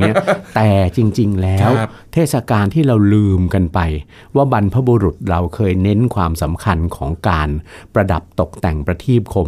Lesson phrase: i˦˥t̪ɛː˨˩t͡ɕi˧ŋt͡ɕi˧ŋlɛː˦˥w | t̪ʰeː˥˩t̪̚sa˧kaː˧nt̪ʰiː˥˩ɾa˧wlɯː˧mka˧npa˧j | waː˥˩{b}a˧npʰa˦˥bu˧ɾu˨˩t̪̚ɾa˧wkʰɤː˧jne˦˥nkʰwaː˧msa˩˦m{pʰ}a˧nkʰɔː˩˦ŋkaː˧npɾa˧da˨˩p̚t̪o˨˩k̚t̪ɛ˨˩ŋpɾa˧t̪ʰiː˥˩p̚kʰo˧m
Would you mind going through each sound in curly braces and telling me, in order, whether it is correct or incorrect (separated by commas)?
correct, incorrect